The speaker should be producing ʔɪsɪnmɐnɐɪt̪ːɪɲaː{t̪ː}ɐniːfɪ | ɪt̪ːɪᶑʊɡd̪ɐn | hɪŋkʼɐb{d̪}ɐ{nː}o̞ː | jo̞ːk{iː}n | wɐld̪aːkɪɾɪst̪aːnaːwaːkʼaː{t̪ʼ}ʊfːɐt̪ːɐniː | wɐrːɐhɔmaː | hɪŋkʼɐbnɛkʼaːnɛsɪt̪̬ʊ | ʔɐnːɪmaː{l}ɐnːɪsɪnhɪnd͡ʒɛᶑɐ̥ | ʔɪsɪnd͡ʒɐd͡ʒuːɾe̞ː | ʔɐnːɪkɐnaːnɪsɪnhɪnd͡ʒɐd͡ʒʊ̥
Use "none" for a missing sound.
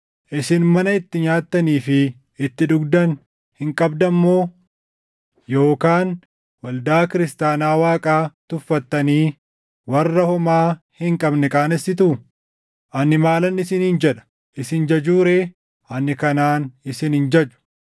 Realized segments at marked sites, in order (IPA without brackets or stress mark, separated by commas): t̪ː, d̪, mː, aː, t̪, l